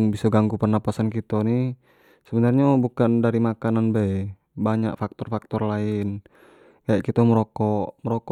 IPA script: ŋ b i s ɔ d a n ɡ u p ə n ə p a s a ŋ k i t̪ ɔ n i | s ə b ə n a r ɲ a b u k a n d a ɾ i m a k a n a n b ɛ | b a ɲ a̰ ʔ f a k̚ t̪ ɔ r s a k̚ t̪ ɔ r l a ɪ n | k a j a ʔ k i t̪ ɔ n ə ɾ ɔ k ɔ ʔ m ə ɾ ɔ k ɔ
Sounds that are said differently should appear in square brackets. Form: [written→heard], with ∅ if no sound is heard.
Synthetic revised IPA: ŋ b i s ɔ [d→ɡ] a [n→ŋ] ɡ u p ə n [ə→a] p a s a [ŋ→n] k i t̪ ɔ n i | s ə b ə n a r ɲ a b u k a n d a ɾ i m a k a n a n b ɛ | b a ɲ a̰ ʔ f a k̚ t̪ ɔ r [s→f] a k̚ t̪ ɔ r l a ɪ n | k a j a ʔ k i t̪ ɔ [n→m] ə ɾ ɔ k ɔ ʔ m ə ɾ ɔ k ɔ